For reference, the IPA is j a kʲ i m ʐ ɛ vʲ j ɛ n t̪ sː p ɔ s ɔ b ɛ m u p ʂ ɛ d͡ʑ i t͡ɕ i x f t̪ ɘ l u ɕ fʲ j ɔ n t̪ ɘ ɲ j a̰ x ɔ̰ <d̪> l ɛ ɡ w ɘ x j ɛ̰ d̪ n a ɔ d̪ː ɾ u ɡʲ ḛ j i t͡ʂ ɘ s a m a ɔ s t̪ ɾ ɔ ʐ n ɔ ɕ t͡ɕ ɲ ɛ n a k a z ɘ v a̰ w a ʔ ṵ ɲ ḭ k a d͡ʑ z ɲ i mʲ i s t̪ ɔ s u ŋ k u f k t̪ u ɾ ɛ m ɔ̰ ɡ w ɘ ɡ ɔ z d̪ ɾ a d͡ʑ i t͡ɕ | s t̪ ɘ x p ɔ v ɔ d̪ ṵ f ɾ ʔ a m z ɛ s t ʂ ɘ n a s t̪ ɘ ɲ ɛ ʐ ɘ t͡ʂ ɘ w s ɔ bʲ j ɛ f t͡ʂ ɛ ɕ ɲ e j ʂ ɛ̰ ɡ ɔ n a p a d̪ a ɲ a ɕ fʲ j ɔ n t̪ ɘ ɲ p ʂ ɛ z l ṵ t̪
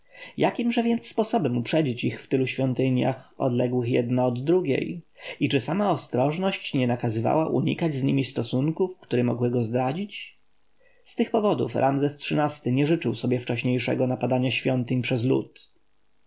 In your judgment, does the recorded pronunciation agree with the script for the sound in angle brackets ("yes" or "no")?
yes